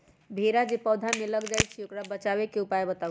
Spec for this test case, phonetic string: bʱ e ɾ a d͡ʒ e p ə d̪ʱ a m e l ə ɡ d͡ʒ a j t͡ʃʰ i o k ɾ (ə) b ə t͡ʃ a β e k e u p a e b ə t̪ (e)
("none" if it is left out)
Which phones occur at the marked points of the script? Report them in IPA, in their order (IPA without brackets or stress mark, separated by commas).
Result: a, a